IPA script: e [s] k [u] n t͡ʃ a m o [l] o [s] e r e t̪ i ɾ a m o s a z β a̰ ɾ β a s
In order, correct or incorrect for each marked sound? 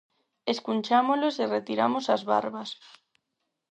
correct, correct, correct, correct

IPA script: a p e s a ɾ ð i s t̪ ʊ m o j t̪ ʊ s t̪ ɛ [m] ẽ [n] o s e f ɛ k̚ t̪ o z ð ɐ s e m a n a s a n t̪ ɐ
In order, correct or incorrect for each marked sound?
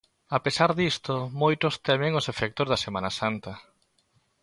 correct, incorrect

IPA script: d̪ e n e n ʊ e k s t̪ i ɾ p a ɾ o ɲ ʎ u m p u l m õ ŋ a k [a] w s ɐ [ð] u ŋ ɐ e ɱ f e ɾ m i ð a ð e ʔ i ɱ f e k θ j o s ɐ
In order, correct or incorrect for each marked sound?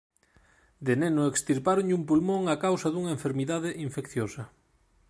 correct, correct

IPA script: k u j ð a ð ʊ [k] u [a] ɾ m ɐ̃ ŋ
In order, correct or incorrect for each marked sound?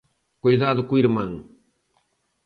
correct, incorrect

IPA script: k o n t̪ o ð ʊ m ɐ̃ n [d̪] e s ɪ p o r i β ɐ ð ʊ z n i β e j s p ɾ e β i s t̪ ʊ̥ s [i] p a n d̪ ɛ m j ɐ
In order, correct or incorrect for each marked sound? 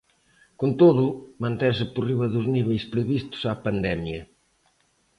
incorrect, incorrect

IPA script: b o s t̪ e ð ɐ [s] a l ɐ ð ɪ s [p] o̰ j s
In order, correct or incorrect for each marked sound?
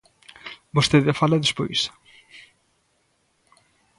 incorrect, correct

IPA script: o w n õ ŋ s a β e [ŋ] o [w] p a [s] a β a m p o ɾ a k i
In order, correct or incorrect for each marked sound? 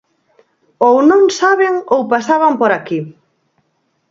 correct, correct, correct

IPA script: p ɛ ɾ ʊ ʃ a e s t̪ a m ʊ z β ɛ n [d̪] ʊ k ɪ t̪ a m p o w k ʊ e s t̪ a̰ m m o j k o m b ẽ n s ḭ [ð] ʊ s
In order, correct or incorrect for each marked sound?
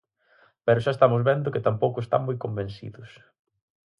correct, correct

